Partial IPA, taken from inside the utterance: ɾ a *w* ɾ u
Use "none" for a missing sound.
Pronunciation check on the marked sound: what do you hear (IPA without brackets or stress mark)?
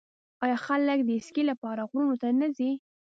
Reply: ɣ